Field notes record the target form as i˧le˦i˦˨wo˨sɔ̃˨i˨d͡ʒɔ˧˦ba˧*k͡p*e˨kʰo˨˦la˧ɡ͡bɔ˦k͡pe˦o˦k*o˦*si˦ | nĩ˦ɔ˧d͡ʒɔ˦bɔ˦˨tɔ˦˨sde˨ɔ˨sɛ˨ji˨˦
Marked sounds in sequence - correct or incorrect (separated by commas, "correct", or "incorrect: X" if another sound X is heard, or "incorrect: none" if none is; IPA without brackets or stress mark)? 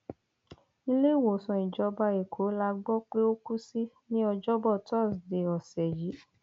incorrect: none, incorrect: u˦